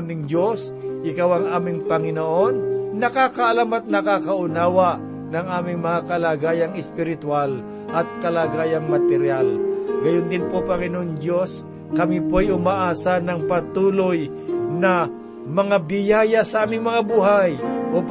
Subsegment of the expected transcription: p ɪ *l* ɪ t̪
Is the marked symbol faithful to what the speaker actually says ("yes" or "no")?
no